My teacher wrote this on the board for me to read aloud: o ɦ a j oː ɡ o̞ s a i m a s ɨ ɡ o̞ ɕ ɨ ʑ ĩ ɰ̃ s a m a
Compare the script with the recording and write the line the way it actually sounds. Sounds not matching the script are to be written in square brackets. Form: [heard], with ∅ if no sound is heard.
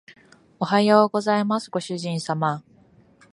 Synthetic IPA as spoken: o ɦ a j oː ɡ o̞ [z] a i m a s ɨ ɡ o̞ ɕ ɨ ʑ ĩ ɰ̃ s a m a

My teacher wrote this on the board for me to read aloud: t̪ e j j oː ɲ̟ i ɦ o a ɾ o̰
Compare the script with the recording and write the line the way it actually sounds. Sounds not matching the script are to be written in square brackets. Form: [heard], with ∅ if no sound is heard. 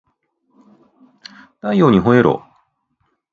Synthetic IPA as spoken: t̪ [a] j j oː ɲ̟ i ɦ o [e] ɾ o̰

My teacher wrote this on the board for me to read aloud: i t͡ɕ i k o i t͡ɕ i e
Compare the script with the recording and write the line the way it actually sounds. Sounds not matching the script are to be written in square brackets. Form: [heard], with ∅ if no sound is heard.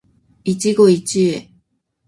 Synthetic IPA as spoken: i t͡ɕ i [ɡ] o i t͡ɕ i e

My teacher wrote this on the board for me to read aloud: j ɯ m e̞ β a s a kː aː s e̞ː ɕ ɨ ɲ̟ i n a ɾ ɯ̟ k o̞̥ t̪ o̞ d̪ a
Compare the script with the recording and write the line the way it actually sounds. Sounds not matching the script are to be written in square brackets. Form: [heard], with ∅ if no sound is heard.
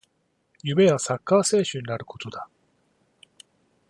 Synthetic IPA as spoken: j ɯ m e̞ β a s a kː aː s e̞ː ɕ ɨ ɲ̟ i n a ɾ ɯ̟ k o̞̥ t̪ o̞ d̪ a

